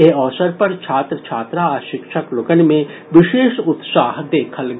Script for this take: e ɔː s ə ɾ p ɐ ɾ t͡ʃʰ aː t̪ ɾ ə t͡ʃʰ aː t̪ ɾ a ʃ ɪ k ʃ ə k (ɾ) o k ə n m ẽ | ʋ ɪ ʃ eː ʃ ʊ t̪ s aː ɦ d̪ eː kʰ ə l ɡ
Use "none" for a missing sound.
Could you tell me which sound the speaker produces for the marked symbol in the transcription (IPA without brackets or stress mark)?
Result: l